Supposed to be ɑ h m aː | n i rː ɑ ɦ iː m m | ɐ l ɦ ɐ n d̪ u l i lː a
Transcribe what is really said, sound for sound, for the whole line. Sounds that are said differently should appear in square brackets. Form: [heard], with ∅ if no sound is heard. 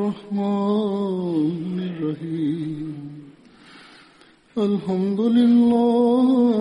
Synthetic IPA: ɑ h m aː | n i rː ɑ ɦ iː m m | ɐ l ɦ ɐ [m] d̪ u l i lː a